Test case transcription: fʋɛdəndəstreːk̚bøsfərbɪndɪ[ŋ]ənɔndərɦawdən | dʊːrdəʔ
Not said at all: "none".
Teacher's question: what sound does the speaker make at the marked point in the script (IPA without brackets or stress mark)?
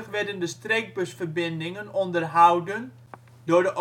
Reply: ŋ